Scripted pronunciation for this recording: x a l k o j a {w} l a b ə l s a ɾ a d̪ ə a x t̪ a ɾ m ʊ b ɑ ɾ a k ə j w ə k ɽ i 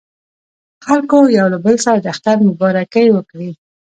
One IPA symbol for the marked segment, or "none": w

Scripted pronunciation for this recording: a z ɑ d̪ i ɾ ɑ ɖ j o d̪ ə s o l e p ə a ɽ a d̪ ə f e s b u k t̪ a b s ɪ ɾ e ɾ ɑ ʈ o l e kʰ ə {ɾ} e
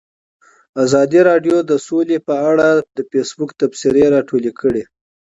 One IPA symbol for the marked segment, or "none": ɽ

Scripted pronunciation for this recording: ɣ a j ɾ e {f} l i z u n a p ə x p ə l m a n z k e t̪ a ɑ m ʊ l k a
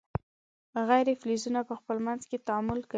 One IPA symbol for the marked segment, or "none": f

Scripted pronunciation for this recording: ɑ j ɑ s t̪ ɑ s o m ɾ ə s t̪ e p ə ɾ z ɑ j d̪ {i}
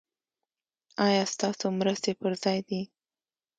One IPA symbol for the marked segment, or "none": i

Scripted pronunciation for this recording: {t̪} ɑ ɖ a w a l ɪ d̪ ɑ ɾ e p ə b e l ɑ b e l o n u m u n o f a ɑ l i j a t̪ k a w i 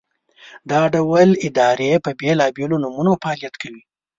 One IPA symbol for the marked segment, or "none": d̪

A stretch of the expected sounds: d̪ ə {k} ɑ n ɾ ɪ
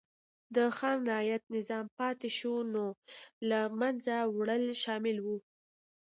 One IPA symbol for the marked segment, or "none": x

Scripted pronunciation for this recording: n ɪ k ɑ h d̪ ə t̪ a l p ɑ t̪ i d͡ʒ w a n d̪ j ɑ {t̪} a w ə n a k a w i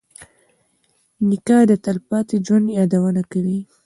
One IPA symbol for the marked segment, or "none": d̪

